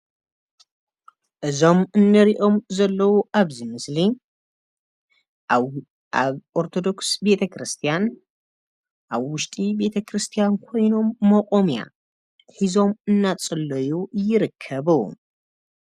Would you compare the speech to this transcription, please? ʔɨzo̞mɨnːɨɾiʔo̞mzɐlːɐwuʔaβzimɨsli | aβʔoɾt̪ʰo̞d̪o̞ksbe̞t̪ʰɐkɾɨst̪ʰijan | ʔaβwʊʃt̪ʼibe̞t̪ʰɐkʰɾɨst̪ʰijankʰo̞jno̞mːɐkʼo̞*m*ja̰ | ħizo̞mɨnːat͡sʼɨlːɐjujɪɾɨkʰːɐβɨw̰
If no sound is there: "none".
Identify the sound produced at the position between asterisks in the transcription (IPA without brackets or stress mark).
m